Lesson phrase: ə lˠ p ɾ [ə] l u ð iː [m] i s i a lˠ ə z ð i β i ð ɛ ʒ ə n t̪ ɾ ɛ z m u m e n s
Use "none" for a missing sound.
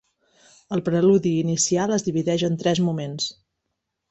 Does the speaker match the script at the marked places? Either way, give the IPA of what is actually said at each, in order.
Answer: ə, n

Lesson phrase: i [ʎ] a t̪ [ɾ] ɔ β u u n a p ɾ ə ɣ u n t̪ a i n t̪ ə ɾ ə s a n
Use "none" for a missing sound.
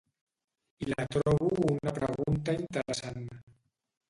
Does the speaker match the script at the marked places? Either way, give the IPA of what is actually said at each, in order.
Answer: l, ɾ

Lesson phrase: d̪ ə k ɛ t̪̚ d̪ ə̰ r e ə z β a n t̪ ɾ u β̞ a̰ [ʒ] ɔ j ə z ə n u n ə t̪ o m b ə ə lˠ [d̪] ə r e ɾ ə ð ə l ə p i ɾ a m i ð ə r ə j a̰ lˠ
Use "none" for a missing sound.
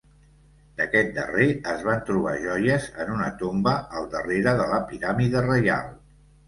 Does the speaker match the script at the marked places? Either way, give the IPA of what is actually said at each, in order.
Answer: ʒ, d̪

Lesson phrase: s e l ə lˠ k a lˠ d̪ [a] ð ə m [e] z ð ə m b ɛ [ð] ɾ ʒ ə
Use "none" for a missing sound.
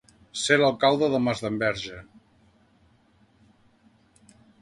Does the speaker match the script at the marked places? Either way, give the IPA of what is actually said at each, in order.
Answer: ə, a, none

